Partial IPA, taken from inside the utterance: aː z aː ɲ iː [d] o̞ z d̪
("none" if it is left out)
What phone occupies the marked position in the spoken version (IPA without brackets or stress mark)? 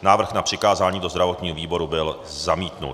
d